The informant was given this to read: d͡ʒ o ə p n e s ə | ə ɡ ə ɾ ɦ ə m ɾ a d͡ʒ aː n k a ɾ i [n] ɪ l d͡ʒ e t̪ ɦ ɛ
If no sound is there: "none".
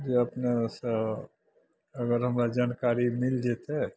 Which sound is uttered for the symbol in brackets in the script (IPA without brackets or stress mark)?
m